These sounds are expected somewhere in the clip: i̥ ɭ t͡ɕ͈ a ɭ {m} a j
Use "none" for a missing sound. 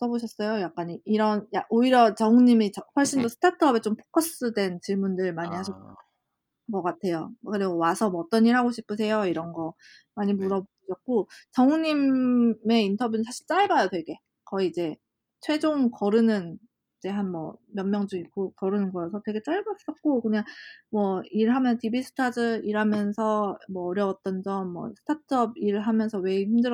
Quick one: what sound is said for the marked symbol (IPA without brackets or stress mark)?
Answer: b